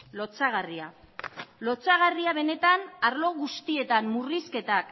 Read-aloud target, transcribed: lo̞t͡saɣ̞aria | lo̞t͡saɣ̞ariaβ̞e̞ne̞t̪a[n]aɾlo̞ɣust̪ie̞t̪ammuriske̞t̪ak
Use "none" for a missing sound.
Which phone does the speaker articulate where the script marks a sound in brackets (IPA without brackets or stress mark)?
n